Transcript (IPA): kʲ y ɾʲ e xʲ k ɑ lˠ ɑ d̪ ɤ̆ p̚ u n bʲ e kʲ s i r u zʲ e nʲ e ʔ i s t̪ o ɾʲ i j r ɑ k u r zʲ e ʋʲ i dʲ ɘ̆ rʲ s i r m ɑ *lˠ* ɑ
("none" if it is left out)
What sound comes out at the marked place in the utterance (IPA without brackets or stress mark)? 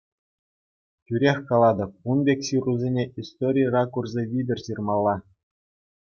lˠː